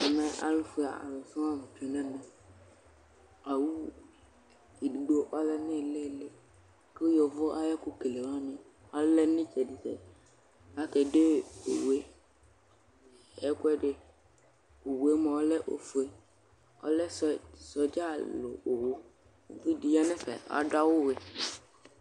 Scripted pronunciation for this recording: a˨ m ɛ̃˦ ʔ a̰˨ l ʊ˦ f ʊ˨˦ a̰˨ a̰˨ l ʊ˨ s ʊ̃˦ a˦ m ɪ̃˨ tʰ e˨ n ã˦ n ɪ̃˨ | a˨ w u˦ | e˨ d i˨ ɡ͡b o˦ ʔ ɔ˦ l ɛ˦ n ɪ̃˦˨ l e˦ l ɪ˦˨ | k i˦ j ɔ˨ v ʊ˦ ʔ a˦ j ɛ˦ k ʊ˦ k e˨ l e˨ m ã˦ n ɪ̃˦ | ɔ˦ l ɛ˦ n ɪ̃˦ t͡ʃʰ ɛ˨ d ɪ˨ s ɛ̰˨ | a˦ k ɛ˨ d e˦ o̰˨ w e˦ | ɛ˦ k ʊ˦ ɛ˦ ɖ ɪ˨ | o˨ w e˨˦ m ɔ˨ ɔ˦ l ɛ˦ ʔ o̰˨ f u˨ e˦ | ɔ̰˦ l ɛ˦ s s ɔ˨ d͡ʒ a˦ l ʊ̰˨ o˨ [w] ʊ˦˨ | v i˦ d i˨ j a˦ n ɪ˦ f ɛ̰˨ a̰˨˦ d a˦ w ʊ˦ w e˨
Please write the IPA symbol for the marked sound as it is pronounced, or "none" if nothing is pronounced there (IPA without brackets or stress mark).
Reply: w